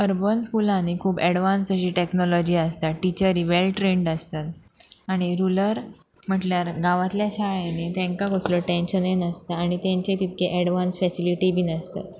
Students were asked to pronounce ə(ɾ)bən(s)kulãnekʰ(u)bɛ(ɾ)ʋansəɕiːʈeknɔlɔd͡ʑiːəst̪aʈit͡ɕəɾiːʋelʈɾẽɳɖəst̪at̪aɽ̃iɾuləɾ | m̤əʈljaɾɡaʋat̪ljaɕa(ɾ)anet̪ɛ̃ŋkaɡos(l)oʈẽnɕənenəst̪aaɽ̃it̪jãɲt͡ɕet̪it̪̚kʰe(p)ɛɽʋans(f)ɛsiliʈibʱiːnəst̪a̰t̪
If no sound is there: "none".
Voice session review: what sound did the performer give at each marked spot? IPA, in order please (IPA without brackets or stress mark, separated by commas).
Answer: ɾ, s, uː, ɽ, ɭ, l, ʔ, f